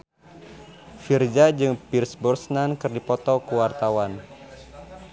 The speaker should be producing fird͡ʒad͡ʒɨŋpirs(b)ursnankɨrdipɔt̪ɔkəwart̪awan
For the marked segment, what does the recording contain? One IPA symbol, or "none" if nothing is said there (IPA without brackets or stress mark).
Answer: b